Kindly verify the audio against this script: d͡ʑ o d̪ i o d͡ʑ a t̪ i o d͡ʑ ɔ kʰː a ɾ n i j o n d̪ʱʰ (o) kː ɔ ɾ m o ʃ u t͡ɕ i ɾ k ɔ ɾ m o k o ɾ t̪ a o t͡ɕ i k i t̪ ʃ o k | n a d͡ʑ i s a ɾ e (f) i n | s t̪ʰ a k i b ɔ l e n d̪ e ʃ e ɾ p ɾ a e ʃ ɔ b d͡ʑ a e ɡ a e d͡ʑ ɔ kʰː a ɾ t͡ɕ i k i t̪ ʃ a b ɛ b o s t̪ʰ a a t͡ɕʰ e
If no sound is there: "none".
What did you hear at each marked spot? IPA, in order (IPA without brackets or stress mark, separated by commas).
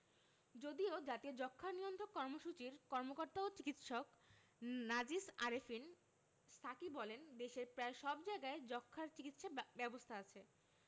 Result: o, f